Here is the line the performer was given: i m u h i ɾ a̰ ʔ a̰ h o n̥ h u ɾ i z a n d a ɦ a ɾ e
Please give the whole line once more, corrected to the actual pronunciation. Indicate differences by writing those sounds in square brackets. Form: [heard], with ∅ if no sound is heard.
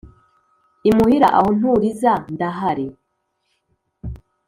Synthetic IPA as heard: i m u h i ɾ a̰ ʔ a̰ h o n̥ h u ɾ i z a n d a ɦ a ɾ e